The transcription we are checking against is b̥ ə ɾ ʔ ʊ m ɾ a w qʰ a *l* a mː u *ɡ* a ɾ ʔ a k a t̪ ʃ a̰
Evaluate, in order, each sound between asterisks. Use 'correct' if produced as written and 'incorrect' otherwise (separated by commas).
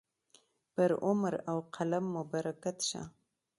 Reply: correct, incorrect